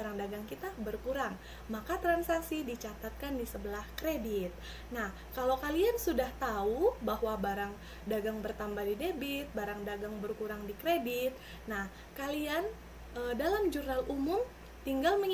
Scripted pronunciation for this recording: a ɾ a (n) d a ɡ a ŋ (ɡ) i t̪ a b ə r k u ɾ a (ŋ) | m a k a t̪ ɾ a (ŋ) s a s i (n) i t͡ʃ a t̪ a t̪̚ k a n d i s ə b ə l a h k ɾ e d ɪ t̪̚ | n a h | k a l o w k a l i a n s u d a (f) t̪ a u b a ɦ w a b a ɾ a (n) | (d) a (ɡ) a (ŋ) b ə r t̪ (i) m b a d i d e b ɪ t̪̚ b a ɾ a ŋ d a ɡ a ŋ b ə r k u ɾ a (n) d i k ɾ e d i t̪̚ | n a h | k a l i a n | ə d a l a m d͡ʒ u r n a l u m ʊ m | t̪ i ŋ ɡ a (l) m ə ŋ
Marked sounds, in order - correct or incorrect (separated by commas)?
incorrect, incorrect, correct, incorrect, incorrect, incorrect, incorrect, correct, correct, correct, incorrect, incorrect, correct